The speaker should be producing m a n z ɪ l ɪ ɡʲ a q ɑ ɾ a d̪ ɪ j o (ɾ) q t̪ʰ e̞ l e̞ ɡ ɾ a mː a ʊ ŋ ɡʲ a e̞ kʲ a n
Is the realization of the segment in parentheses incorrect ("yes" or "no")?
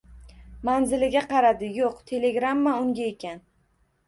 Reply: yes